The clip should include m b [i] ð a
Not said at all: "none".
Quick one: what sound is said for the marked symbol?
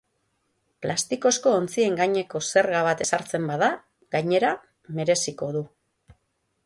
a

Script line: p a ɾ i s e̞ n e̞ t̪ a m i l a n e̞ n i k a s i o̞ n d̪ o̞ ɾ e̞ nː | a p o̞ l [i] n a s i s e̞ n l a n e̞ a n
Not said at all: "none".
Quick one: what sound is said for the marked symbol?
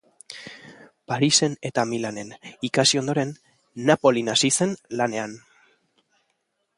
i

